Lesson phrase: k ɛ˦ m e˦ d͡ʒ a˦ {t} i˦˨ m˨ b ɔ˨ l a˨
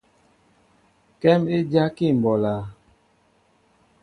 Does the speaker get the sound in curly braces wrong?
yes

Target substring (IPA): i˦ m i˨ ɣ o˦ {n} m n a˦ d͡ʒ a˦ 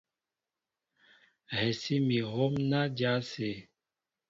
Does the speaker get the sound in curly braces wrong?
yes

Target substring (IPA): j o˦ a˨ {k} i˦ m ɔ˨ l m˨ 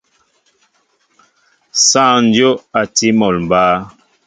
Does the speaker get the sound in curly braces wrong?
yes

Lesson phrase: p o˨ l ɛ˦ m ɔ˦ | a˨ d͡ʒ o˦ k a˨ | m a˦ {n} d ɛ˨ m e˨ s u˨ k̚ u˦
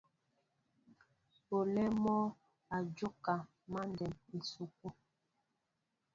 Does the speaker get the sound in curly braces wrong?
no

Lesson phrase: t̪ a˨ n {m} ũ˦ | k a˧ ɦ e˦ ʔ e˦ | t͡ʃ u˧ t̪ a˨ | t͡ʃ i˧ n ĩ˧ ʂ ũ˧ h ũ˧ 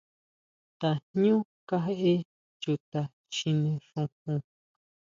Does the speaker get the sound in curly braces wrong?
yes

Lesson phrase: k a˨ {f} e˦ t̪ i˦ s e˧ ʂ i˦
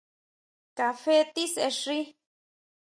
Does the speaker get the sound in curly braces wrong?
no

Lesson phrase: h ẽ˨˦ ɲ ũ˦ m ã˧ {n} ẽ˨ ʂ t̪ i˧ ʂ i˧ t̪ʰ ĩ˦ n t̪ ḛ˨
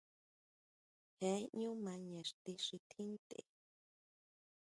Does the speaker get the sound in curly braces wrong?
yes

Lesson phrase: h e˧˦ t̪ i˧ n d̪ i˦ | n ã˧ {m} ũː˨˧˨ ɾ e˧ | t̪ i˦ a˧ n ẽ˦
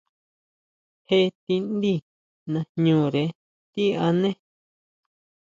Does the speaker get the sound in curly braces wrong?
yes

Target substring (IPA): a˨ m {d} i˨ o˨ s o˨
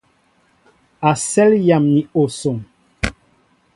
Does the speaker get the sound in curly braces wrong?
yes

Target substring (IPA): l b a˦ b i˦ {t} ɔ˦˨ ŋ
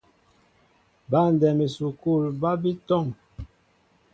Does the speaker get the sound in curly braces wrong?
no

